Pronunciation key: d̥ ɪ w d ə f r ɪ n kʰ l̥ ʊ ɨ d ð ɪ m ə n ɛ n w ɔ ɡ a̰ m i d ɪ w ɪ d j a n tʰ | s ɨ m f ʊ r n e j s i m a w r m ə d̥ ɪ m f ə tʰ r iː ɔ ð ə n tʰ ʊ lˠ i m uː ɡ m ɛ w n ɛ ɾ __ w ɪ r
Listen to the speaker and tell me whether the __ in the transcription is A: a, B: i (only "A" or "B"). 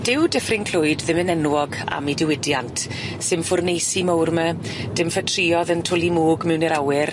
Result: A